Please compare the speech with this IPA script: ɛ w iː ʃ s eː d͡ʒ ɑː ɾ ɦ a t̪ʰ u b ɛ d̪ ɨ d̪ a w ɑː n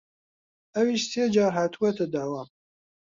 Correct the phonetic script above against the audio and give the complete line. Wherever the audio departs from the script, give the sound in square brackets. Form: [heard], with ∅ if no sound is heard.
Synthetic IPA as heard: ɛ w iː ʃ s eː d͡ʒ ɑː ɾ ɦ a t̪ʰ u [w] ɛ [t̪] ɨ d̪ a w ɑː [m]